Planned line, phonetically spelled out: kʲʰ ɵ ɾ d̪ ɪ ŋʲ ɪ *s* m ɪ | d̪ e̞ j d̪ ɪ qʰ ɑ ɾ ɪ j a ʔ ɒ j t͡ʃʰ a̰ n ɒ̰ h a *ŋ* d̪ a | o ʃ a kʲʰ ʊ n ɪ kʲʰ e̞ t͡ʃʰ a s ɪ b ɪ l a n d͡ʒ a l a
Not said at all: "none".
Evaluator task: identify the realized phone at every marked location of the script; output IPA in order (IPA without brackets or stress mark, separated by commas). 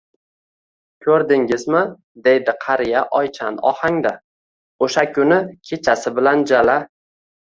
z, ŋ